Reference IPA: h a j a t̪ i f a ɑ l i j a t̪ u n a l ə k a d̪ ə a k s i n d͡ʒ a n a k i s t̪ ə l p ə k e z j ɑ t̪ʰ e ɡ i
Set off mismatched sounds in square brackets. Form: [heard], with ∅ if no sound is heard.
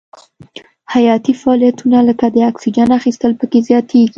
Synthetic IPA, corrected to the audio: h a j [ɑ] t̪ i f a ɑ l i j a t̪ u n a l ə k a d̪ ə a k s i [∅] d͡ʒ a n a [x] i s t̪ ə l p ə k e z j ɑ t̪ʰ e ɡ i